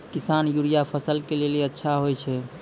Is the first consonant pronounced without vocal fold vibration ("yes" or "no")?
yes